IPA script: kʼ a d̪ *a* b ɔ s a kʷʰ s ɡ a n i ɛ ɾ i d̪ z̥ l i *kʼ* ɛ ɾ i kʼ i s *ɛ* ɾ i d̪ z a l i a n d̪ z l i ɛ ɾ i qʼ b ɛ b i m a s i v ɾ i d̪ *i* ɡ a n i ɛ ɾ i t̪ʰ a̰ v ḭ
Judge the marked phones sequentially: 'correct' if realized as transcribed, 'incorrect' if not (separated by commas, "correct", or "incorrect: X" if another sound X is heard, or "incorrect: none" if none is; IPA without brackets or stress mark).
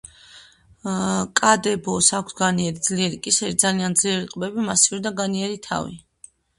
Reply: incorrect: ɛ, incorrect: none, correct, incorrect: a